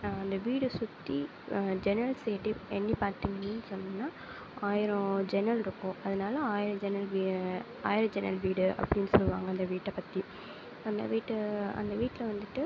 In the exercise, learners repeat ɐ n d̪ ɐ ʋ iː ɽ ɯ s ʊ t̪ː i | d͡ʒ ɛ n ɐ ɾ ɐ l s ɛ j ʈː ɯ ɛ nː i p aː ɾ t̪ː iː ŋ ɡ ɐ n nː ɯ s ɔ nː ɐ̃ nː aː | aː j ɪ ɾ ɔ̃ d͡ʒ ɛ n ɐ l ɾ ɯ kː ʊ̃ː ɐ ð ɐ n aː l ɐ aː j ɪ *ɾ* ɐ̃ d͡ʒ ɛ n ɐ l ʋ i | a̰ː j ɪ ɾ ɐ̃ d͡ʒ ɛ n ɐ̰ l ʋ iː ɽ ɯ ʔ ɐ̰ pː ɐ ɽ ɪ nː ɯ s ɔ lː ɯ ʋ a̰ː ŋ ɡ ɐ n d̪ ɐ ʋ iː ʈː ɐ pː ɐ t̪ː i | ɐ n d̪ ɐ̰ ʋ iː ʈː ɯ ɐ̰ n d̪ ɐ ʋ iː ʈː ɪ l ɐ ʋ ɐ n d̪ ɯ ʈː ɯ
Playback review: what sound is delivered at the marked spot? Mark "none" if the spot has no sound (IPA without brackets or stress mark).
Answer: ɾ